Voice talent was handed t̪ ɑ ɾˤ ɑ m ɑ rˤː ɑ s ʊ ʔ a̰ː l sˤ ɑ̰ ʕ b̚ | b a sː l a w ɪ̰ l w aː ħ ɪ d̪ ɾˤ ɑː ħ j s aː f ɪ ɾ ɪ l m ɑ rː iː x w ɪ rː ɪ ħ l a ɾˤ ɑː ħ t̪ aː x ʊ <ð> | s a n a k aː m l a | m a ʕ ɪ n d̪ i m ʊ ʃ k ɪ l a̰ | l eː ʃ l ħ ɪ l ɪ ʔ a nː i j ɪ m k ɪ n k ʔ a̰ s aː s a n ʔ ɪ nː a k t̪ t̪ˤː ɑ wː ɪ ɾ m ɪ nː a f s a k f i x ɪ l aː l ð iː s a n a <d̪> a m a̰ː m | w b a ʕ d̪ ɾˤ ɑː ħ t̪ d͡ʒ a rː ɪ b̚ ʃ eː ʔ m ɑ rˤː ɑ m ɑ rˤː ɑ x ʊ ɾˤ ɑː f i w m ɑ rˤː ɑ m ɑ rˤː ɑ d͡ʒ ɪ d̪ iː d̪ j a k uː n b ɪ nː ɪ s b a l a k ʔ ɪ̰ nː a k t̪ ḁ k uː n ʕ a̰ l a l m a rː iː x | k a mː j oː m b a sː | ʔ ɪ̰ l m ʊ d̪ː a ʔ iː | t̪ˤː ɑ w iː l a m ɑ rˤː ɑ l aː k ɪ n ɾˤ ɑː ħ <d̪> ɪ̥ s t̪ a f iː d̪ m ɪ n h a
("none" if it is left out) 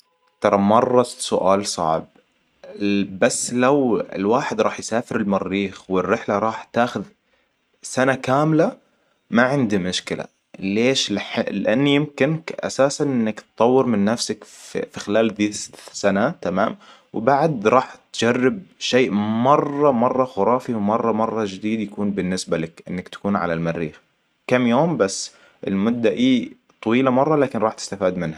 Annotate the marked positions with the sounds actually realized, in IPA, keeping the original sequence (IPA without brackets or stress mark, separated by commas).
ð, t̪, t̪